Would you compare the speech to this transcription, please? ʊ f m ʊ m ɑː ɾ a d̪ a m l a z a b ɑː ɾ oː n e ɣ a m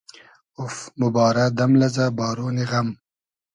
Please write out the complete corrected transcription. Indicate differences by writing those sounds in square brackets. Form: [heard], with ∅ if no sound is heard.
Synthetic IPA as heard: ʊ f m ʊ [b] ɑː ɾ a d̪ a m l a z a b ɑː ɾ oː n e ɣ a m